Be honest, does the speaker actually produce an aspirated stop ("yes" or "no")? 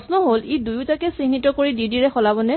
no